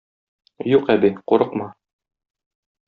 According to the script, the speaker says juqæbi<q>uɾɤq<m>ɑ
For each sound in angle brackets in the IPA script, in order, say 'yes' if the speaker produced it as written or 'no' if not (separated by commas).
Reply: yes, yes